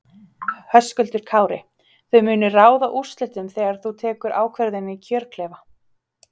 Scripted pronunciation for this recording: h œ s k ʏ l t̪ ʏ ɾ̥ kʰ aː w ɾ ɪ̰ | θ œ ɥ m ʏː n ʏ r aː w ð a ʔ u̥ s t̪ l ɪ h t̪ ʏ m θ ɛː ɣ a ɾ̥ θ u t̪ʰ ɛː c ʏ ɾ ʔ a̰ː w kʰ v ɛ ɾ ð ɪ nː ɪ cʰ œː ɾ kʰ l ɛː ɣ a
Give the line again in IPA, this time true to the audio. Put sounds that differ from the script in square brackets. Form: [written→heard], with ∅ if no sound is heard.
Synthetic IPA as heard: h œ s k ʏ l t̪ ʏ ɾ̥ kʰ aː w ɾ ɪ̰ | θ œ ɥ m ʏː n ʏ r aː w ð a ʔ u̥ s t̪ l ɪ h t̪ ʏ m θ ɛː ɣ a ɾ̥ θ u t̪ʰ ɛː [c→k] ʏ ɾ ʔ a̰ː w kʰ v ɛ ɾ ð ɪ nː ɪ cʰ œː ɾ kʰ l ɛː [ɣ→v] a

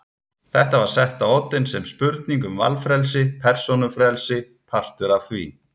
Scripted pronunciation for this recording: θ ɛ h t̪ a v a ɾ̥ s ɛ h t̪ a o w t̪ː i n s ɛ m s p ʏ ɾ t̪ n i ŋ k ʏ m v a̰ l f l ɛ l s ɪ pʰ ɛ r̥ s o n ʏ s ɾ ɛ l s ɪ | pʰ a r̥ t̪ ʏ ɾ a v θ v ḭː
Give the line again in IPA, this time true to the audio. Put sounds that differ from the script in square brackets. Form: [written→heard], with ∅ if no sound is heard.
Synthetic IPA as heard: θ ɛ h t̪ a v a ɾ̥ s ɛ h t̪ a o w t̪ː [i→ɪ] n s ɛ m s p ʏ ɾ t̪ n i ŋ k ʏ m v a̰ l f [l→ɾ] ɛ l s ɪ pʰ ɛ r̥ s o n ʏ [s→f] ɾ ɛ l s ɪ | pʰ a r̥ t̪ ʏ ɾ a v θ v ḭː

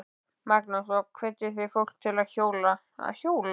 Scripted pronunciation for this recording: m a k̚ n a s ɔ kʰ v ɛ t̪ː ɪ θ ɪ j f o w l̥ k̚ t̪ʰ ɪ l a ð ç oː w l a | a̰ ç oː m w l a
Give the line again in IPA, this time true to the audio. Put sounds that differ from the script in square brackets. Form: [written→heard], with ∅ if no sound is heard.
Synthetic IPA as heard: m a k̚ n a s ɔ kʰ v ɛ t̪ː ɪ θ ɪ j f o w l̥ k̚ t̪ʰ ɪ l a ð ç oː w l a | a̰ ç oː [m→∅] w l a

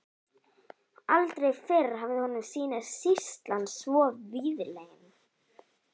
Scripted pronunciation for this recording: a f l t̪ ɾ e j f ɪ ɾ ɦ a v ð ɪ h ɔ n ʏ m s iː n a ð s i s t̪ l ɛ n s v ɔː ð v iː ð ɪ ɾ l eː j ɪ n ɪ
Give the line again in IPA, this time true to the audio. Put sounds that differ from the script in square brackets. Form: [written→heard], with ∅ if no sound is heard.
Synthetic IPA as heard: a [f→∅] l t̪ ɾ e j f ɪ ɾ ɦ a v ð ɪ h ɔ n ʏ m s iː n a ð s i s t̪ l [ɛ→a] n s v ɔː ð v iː ð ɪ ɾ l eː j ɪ n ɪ

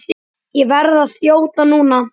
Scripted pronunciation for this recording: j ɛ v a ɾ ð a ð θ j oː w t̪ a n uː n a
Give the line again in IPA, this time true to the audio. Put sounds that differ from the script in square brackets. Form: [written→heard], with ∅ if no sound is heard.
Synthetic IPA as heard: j ɛ v [a→ɛ] ɾ ð a ð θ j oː w t̪ a n uː n a

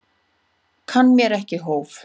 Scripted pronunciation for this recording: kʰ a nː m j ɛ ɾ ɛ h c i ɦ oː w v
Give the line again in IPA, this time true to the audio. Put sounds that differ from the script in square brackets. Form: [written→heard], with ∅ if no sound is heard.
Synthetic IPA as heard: kʰ a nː m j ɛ ɾ ɛ h c [i→ɪ] ɦ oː w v

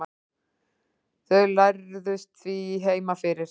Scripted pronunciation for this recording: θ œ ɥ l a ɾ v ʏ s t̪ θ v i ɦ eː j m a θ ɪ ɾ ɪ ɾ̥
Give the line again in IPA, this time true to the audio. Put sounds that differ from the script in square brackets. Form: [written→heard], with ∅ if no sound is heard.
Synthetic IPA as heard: θ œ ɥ l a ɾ [v→ð] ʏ s t̪ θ v i ɦ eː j m a [θ→f] ɪ ɾ ɪ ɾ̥

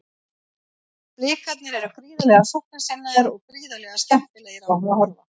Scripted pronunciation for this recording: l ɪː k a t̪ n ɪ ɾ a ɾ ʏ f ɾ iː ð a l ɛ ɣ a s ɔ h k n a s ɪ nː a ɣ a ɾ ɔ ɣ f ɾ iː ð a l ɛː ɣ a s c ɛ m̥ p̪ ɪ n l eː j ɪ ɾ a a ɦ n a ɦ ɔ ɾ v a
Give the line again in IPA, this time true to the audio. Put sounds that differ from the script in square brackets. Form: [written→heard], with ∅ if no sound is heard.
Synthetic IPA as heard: l ɪː k a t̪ n ɪ ɾ [a→ɛ] ɾ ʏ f ɾ iː ð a l ɛ ɣ a s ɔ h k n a s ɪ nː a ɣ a ɾ ɔ ɣ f ɾ iː ð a l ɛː ɣ a s c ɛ m̥ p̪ ɪ [n→∅] l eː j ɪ ɾ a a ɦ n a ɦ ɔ ɾ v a

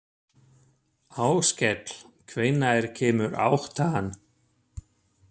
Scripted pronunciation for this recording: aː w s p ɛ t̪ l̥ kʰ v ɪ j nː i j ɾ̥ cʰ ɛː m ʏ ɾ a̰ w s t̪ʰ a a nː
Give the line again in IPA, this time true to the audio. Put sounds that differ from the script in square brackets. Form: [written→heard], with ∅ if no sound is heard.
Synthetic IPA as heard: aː w s [p→c] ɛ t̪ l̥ kʰ v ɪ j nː [i→a] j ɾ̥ cʰ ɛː m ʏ ɾ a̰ w [s→h] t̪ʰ a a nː

